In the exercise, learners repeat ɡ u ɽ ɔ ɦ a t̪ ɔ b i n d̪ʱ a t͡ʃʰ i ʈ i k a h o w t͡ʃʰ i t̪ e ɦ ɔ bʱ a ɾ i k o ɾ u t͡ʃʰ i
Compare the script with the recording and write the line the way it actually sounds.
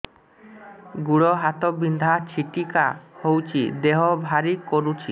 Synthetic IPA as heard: ɡ u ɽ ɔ ɦ a t̪ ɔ b i n d̪ʱ a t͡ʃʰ i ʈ i k a h o w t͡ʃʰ i d̪ e ɦ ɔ bʱ a ɾ i k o ɾ u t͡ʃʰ i